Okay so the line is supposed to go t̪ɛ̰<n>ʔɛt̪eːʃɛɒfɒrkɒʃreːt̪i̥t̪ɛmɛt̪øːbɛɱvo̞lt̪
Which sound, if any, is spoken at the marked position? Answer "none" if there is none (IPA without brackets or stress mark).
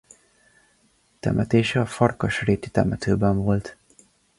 m